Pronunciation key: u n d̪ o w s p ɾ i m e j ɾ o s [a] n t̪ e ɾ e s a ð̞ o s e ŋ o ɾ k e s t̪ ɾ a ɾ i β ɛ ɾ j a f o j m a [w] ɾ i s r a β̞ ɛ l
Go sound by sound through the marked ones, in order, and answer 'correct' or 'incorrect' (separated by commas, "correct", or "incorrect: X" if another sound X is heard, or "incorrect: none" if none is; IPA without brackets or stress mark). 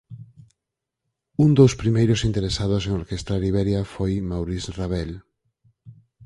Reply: incorrect: i, correct